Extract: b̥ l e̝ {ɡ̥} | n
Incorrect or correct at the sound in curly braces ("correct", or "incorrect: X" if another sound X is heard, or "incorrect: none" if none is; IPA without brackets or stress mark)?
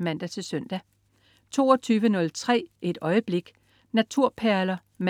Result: correct